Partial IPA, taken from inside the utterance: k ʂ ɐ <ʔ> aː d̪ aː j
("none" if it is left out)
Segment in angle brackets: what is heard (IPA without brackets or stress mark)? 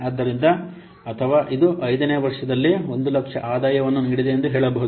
ʔ